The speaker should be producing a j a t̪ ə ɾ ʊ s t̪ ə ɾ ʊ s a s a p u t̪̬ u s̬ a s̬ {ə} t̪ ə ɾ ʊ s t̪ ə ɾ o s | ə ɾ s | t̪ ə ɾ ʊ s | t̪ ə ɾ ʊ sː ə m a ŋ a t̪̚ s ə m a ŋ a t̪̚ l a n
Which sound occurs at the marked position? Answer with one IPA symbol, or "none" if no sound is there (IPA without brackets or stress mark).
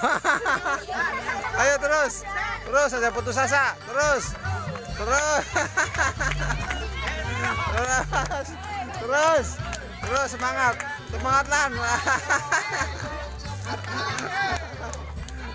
a